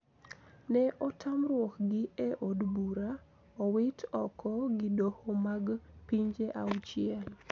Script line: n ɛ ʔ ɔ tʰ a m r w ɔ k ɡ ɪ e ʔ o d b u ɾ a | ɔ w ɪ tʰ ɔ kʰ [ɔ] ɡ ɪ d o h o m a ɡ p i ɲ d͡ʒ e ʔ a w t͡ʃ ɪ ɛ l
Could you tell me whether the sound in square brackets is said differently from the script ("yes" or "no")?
no